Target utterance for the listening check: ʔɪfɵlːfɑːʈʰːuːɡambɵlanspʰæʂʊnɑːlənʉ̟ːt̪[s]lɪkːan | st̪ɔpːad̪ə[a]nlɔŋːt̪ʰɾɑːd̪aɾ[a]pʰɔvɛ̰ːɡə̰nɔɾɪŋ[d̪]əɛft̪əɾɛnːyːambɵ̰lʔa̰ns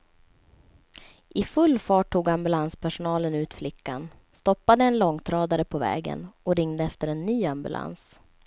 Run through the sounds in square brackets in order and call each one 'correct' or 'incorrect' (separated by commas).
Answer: incorrect, incorrect, incorrect, correct